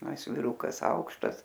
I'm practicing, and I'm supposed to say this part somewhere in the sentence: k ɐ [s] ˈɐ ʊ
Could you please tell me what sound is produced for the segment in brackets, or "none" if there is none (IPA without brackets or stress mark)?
s